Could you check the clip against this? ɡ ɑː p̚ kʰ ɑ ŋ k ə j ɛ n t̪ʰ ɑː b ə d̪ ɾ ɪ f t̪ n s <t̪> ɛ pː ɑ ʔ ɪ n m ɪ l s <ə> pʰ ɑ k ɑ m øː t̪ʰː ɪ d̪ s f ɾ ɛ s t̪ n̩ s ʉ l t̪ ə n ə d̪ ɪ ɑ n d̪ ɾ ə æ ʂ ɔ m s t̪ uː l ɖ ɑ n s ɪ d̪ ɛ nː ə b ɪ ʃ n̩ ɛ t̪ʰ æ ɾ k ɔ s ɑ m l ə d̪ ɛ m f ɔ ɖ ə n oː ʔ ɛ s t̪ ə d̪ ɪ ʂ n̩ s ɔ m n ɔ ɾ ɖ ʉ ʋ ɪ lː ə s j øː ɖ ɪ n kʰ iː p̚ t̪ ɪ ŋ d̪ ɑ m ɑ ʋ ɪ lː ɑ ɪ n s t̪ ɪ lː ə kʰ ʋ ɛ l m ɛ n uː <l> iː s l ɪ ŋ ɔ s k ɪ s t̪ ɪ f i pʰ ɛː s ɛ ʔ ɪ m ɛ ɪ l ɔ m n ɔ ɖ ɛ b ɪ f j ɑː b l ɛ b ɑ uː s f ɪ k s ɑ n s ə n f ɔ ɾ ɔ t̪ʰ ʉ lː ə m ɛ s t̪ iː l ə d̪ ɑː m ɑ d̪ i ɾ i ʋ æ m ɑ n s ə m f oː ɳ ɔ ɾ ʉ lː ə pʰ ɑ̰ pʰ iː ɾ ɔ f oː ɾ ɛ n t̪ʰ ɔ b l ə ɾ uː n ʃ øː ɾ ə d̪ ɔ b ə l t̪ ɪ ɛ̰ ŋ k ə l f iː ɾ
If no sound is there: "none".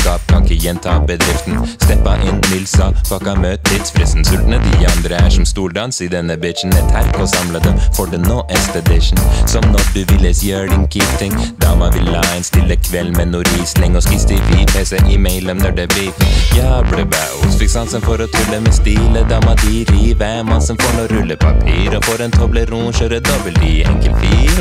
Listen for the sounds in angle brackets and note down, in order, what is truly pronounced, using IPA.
t̪, ɑ, ɾ

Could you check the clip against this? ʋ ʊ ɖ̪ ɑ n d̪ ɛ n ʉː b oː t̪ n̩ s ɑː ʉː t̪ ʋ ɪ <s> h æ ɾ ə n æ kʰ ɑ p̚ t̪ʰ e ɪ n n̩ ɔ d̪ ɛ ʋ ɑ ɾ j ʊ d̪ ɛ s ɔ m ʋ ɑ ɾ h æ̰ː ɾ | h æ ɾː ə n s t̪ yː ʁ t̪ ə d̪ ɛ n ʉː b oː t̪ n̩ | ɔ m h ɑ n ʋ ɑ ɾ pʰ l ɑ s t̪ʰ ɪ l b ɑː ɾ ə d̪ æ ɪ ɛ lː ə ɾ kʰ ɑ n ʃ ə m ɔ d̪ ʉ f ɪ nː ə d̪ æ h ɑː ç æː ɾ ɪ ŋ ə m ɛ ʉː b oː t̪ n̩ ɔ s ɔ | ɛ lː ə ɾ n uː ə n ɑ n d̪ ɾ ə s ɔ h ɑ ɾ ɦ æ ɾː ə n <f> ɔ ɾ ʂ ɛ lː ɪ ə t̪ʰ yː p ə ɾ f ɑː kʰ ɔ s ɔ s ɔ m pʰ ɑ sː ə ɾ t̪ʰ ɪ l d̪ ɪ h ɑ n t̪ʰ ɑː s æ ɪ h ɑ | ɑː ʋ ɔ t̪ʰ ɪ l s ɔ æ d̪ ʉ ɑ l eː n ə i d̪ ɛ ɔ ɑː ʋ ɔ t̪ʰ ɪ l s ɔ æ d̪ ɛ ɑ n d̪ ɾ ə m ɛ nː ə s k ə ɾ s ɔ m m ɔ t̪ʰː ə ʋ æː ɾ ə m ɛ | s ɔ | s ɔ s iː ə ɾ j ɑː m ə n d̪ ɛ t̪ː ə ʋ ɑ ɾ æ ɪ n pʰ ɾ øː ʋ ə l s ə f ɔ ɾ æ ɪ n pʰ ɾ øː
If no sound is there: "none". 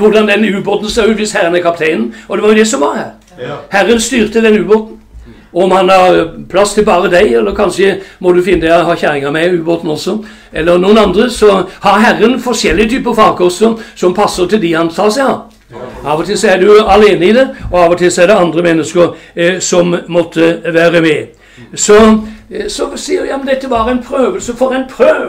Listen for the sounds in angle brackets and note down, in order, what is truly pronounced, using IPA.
s, f

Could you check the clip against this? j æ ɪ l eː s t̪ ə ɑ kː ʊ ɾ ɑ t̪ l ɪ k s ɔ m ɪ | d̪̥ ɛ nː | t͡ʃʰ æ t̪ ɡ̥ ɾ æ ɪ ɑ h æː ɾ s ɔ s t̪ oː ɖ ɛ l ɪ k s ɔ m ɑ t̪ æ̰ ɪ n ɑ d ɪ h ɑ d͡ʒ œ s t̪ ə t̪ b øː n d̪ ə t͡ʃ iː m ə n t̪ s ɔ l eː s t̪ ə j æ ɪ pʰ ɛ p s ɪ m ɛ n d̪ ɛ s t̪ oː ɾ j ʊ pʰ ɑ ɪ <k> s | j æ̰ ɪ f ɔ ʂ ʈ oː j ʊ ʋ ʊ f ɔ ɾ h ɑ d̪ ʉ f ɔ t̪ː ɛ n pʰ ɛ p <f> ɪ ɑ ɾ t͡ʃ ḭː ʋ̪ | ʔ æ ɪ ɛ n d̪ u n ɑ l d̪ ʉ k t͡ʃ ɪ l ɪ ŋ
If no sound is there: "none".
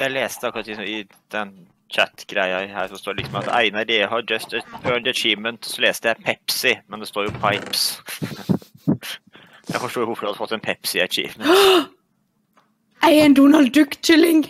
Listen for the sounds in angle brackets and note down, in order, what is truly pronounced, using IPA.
p, s

